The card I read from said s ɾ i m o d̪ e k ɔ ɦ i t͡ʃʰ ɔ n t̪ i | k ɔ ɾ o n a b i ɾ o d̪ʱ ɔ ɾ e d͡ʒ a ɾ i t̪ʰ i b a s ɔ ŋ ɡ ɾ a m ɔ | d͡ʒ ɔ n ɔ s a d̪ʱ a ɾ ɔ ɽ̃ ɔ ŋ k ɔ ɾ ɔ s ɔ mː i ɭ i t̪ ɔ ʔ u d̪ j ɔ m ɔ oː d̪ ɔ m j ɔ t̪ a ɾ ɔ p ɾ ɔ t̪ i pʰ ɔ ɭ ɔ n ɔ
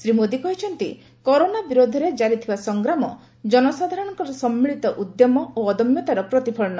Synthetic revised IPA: s ɾ i m o d̪ i k ɔ ɦ i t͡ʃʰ ɔ n t̪ i | k ɔ ɾ o n a b i ɾ o d̪ʱ ɔ ɾ e d͡ʒ a ɾ i t̪ʰ i b a s ɔ ŋ ɡ ɾ a m ɔ | d͡ʒ ɔ n ɔ s a d̪ʱ a ɾ ɔ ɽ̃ ɔ ŋ k ɔ ɾ ɔ s ɔ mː i ɭ i t̪ ɔ ʔ u d̪ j ɔ m ɔ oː d̪ ɔ m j ɔ t̪ a ɾ ɔ p ɾ ɔ t̪ i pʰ ɔ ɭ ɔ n ɔ